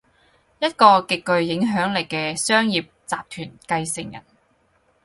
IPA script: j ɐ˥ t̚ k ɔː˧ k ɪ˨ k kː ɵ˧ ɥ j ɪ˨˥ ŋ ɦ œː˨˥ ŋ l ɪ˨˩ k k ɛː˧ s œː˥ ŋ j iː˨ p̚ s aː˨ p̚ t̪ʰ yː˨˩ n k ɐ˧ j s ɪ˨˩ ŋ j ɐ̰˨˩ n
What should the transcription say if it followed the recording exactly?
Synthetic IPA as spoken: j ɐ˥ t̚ k ɔː˧ k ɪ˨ k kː ɵ˧ ɥ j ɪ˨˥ ŋ ɦ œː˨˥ ŋ l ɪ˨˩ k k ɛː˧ s œː˥ ŋ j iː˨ p̚ t͡s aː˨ p̚ t̪ʰ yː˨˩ n k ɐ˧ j s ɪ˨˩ ŋ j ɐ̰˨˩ n